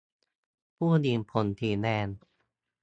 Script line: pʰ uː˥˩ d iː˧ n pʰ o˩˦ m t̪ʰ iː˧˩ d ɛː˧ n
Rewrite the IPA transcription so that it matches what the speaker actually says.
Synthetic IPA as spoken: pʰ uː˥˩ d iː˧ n pʰ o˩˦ n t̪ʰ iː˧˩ n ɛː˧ n